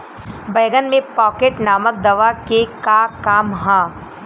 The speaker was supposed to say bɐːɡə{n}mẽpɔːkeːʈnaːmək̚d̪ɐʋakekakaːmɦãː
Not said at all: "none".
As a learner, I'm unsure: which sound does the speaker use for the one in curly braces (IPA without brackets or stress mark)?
n